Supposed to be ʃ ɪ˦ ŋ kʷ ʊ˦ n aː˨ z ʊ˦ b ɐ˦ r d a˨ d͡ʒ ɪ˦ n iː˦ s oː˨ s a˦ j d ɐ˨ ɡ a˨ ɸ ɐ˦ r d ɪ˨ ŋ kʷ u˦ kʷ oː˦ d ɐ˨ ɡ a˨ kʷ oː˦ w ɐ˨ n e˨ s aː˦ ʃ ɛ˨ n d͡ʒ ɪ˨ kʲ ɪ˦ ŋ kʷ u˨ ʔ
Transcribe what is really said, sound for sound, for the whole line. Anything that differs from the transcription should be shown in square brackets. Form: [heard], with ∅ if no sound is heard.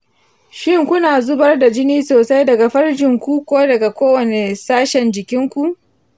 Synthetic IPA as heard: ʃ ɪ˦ ŋ kʷ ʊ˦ n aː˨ z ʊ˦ b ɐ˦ r d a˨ d͡ʒ ɪ˦ n iː˦ s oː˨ s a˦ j d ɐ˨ ɡ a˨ ɸ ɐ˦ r [d͡ʒ] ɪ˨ ŋ kʷ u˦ kʷ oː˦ d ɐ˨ ɡ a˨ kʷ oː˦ w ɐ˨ n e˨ s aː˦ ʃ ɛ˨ n d͡ʒ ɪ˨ kʲ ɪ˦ ŋ kʷ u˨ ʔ